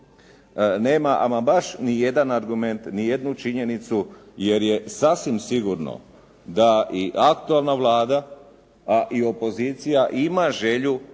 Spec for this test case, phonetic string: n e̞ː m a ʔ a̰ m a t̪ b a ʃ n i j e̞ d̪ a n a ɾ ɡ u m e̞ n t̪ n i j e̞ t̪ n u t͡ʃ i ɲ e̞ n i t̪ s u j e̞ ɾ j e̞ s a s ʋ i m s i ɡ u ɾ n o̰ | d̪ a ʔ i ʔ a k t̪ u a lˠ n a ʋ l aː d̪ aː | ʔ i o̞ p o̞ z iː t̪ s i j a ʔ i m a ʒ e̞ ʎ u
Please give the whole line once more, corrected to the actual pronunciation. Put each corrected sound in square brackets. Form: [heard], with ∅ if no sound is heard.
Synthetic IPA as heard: n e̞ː m a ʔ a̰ m a [∅] b a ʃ n i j e̞ d̪ a n a ɾ ɡ u m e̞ n t̪ n i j e̞ [d̪] n u t͡ʃ i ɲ e̞ n i t̪ s u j e̞ ɾ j e̞ s a s ʋ i m s i ɡ u ɾ n o̰ | d̪ a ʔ i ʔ a k t̪ u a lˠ n a ʋ l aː d̪ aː | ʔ i o̞ p o̞ z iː t̪ s i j a ʔ i m a ʒ e̞ ʎ u